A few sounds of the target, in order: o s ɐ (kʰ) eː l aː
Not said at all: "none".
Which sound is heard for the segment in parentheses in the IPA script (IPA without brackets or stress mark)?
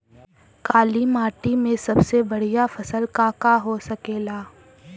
k